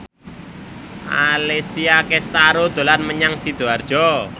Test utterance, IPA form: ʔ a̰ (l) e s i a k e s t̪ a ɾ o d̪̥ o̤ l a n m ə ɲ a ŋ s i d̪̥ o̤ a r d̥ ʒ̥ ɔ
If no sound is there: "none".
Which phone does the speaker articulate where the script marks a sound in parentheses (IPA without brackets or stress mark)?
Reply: l